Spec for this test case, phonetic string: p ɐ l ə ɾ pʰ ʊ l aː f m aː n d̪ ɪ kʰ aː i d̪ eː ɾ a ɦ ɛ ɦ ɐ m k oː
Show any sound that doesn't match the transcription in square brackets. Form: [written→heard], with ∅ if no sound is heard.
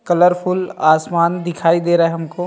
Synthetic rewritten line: [p→k] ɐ l ə ɾ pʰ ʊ l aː [f→s] m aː n d̪ ɪ kʰ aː i d̪ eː ɾ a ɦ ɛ ɦ ɐ m k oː